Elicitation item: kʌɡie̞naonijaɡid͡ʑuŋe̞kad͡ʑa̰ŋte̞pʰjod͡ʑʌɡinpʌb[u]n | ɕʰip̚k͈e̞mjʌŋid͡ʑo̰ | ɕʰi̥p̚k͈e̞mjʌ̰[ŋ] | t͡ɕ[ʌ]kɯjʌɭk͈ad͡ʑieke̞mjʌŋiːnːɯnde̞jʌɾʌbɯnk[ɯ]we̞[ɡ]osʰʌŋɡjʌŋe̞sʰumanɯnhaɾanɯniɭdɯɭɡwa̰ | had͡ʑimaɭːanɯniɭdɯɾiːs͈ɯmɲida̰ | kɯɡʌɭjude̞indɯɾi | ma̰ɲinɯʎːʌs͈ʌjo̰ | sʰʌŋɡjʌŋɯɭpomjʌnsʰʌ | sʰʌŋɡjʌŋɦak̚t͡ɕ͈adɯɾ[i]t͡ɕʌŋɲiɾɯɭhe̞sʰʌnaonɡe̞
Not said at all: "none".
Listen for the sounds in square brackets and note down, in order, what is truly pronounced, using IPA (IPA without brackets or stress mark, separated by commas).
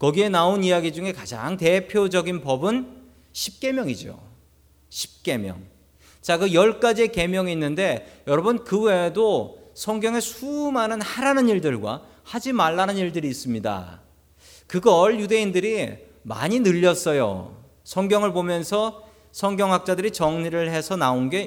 ɯ, ŋ, a, ɯ, d, i